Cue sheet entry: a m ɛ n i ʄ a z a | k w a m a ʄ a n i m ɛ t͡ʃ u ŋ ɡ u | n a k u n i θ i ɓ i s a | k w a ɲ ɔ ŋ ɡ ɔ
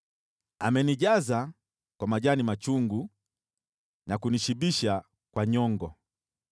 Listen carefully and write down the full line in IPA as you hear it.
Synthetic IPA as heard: a m ɛ n i ʄ a z a | k w a m a ʄ a n i m a t͡ʃ u ŋ ɡ u | n a k u n i ʃ i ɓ i ʃ a | k w a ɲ ɔ ŋ ɡ ɔ